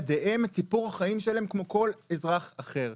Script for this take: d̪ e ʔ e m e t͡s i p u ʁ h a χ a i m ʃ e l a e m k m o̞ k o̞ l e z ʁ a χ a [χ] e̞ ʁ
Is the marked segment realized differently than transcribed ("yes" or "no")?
no